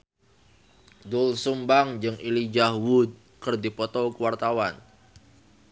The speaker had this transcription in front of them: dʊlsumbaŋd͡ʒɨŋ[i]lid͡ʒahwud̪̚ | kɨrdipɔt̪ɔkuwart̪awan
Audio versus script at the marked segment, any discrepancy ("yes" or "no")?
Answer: no